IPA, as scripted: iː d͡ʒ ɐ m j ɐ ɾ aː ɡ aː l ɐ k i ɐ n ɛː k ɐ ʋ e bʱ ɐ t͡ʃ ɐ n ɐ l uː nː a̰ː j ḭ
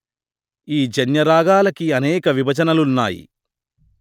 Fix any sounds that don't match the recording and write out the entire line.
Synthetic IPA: iː d͡ʒ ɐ n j ɐ ɾ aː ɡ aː l ɐ k i ɐ n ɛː k ɐ ʋ i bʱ ɐ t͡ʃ ɐ n ɐ l u nː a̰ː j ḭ